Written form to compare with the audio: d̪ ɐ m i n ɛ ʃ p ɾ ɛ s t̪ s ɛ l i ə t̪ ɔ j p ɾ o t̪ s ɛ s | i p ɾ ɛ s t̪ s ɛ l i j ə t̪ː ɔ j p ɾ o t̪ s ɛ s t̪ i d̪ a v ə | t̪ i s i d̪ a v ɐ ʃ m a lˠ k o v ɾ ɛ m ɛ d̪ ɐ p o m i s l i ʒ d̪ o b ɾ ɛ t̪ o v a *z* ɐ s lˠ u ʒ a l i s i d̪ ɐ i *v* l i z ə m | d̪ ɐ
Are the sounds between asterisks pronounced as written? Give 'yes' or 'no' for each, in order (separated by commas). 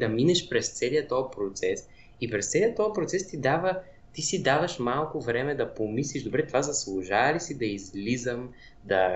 yes, no